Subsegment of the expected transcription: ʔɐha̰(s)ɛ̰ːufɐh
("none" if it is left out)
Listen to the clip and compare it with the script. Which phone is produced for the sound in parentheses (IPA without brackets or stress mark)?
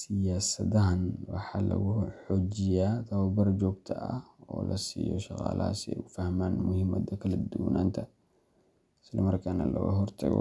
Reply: s